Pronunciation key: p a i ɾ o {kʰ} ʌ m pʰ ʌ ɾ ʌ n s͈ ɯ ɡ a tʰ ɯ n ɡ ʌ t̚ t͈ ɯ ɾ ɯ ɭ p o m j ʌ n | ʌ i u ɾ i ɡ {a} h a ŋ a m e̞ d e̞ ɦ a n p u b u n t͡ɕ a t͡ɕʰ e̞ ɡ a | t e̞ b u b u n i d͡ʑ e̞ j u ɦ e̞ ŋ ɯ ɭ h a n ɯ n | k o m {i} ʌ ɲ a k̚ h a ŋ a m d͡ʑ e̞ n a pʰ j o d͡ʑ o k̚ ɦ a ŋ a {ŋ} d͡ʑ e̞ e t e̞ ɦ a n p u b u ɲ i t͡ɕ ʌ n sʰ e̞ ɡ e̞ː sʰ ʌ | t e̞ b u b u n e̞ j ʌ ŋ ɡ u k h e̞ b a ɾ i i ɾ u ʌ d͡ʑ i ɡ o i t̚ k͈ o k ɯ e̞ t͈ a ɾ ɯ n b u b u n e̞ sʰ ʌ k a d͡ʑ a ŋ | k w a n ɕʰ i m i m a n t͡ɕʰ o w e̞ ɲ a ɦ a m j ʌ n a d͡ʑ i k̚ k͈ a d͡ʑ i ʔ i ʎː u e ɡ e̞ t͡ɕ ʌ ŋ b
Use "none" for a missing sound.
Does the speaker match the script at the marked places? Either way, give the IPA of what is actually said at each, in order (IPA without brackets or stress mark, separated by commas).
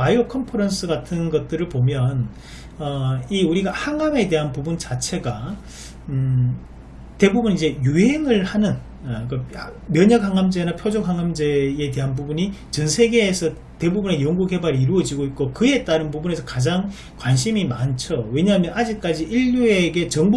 kʰ, a, j, m